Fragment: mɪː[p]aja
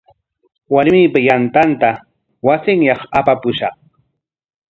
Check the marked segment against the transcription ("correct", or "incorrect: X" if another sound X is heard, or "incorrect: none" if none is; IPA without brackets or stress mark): correct